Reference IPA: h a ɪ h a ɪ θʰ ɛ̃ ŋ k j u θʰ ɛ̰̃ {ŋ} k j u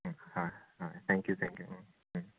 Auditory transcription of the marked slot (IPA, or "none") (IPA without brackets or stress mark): ŋ